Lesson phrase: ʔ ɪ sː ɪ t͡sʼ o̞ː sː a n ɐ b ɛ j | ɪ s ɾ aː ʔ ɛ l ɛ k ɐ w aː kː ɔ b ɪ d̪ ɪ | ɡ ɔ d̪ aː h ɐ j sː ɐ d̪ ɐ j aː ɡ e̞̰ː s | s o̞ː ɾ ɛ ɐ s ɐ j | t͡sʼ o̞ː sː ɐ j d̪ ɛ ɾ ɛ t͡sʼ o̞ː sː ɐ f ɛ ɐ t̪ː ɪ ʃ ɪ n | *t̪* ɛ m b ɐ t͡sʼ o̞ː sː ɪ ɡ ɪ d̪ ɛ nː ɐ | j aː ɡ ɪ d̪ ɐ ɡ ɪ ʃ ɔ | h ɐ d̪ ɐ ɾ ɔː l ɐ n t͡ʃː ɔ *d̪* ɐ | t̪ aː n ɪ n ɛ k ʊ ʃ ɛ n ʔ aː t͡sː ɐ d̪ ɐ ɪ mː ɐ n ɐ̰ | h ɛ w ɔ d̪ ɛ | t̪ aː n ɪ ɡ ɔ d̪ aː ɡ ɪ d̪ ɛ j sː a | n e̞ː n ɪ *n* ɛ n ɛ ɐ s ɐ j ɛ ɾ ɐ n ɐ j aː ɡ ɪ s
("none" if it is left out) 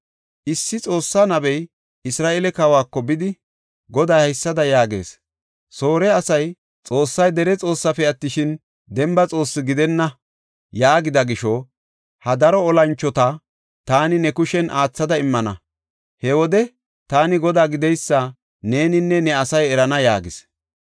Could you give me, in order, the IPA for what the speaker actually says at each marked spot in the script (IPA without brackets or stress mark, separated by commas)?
d̪, t̪, nː